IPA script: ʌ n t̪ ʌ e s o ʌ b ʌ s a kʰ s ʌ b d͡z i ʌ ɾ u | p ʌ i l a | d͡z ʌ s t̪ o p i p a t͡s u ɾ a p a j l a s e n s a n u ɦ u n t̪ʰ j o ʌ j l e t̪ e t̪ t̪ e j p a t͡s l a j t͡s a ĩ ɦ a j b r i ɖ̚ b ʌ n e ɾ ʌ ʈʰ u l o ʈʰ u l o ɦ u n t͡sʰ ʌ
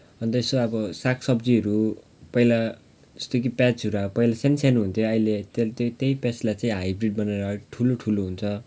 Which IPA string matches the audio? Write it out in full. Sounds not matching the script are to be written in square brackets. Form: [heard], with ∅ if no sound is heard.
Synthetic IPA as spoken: ʌ n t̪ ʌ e s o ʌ b ʌ s a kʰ s ʌ b d͡z i ʌ ɾ u | p ʌ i l a | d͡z ʌ s t̪ o [k] i p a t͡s u ɾ a p [ʌ] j l a s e n s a n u ɦ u n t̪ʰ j o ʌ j l e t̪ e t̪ t̪ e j p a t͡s l a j t͡s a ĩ ɦ a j b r i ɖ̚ b ʌ n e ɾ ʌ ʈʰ u l o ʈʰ u l o ɦ u n t͡sʰ ʌ